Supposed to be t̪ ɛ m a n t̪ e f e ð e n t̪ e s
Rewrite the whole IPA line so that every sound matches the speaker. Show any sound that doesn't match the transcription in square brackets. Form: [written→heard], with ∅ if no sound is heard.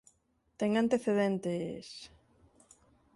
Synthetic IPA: t̪ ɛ [m→ŋ] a n t̪ e [f→θ] e ð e n t̪ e s